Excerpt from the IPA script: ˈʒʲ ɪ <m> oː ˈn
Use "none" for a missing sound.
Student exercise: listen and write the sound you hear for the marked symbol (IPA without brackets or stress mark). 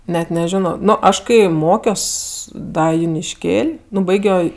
n